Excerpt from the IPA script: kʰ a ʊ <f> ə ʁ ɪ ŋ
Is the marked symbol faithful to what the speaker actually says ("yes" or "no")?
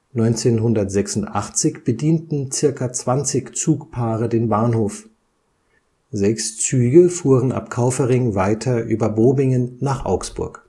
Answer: yes